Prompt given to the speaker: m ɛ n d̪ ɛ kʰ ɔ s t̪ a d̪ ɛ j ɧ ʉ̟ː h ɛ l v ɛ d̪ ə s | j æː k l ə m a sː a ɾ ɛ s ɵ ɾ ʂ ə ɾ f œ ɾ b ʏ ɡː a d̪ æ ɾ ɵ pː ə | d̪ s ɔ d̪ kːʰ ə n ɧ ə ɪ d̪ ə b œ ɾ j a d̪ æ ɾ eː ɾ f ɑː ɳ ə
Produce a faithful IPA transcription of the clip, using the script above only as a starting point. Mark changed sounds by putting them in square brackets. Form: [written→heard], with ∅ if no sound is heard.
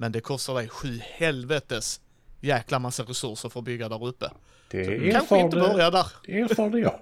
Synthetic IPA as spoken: m ɛ n d̪ ɛ kʰ ɔ s t̪ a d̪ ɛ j ɧ ʉ̟ː h ɛ l v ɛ [d̪→t̪] ə s | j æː k l [ə→a] m a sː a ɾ ɛ s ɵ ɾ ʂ ə ɾ f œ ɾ b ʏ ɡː a d̪ æ ɾ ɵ pː ə | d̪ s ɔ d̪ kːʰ [ə→a] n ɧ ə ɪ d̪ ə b œ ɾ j a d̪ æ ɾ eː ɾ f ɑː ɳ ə